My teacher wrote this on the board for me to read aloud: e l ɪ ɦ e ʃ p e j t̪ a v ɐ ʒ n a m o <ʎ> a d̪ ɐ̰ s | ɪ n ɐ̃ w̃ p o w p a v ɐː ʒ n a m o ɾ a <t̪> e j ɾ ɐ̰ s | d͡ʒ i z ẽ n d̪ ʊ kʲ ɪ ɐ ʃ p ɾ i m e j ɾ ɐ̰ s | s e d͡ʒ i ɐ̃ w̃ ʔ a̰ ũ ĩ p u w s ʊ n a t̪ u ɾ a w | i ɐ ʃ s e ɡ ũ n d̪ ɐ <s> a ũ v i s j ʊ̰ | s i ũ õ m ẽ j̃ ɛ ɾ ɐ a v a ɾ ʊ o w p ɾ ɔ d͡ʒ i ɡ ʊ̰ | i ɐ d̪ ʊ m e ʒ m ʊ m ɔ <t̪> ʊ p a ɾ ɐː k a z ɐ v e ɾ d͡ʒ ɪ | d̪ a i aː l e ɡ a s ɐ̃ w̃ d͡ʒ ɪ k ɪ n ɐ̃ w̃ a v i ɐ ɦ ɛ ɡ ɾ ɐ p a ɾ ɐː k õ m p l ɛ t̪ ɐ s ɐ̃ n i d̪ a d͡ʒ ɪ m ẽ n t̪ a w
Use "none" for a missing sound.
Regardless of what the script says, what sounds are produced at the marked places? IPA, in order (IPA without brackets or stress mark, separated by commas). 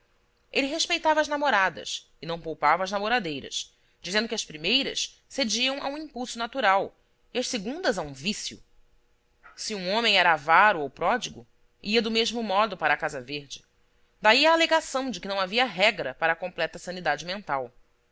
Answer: ɾ, d̪, z, d̪